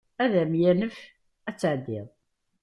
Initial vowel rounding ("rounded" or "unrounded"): unrounded